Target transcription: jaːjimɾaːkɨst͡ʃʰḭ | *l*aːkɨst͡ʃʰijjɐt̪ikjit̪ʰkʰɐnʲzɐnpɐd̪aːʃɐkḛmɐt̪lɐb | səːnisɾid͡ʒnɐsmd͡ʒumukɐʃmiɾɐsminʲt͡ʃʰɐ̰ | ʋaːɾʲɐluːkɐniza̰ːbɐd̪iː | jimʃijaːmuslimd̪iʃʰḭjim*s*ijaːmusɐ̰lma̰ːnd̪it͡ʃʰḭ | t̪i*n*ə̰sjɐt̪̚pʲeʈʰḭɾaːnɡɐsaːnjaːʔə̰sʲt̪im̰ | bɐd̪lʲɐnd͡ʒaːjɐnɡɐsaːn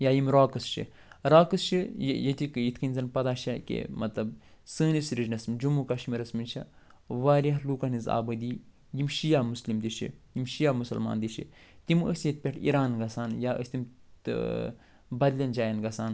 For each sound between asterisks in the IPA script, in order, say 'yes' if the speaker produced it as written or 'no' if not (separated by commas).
no, no, no